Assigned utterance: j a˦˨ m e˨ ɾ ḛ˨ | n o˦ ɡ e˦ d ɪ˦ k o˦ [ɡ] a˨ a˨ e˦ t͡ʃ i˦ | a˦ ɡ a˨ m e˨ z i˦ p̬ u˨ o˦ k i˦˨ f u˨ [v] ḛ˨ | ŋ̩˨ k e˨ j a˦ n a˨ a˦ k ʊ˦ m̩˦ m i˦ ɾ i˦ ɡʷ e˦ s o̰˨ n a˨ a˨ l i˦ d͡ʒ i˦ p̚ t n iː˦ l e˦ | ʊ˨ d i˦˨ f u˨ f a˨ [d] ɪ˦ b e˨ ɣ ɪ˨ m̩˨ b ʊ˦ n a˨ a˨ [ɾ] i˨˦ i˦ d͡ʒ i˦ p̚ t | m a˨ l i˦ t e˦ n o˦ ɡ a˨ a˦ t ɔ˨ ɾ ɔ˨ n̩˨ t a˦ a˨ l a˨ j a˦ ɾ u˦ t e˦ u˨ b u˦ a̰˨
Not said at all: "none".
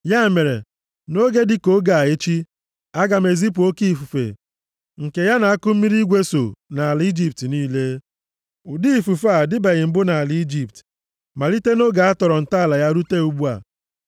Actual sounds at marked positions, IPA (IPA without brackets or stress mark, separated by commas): ɡ, f, d, l